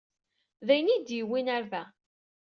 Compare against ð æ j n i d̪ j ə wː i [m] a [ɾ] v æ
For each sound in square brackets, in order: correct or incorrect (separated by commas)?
incorrect, correct